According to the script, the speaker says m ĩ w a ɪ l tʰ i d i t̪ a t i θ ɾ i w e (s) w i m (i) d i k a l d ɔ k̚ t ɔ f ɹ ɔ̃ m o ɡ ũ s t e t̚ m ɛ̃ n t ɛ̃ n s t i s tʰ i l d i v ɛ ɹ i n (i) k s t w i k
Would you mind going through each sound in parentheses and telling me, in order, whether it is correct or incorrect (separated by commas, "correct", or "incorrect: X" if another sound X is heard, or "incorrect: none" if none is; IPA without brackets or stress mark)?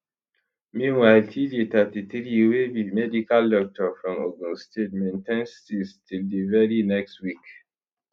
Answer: incorrect: none, incorrect: ɛ, incorrect: ɛ